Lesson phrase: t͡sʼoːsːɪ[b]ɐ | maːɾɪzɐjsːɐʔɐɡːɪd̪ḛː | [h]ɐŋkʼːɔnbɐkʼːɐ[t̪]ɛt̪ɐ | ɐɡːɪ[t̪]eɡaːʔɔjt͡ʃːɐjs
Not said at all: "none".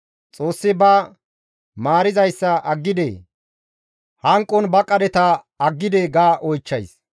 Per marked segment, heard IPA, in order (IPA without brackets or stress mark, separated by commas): b, h, d̪, d̪